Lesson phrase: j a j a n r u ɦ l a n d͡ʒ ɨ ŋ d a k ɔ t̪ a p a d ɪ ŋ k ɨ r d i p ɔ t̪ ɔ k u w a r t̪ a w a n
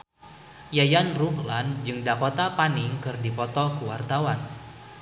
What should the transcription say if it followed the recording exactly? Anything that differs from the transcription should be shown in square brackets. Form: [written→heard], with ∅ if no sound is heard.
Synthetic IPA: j a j a n r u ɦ l a n d͡ʒ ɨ ŋ d a k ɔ t̪ a p a [d→n] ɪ ŋ k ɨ r d i p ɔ t̪ ɔ k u w a r t̪ a w a n